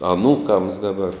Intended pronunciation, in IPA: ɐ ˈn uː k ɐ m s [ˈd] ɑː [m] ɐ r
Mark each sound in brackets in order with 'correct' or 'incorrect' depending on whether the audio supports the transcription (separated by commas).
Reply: correct, incorrect